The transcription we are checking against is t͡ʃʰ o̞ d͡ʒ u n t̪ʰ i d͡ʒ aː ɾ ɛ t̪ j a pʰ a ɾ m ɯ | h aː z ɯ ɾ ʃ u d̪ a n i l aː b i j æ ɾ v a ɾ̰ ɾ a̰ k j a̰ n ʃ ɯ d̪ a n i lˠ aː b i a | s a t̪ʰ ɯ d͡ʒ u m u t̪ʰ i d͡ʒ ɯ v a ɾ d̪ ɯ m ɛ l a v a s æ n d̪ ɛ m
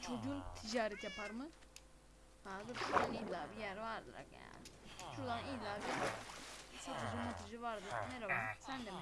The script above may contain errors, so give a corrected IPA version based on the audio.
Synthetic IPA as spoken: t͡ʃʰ o̞ d͡ʒ u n t̪ʰ i d͡ʒ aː ɾ ɛ t̪ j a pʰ a ɾ m ɯ | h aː z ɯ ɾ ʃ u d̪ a n i l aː b i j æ ɾ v a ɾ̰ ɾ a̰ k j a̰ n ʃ u d̪ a n i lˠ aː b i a | s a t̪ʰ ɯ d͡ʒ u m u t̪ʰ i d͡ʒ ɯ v a ɾ d̪ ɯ n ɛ ɾ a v a s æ n d̪ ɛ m